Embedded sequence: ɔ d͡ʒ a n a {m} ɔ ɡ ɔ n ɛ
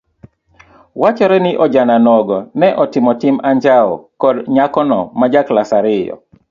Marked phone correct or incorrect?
incorrect